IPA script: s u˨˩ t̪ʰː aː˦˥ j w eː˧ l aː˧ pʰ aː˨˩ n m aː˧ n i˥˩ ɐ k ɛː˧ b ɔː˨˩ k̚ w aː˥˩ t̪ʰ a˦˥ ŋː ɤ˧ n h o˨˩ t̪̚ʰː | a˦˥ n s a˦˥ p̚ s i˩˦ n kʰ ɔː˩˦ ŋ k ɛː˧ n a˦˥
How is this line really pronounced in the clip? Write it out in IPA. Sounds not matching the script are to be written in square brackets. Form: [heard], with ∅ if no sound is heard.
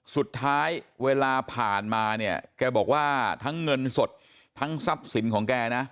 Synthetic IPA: s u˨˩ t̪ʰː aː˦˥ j w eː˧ l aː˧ pʰ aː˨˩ n m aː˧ n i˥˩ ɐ k ɛː˧ b ɔː˨˩ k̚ w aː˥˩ t̪ʰ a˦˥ ŋː ɤ˧ n [s] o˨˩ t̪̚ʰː | a˦˥ [ŋ] s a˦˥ p̚ s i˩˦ n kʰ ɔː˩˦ ŋ k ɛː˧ n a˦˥